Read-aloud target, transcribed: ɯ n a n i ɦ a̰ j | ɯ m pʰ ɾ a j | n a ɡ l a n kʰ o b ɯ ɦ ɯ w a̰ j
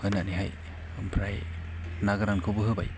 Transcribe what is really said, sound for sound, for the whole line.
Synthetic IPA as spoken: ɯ n a n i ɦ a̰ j | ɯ m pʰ ɾ a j | n a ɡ ɾ a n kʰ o b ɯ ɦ ɯ b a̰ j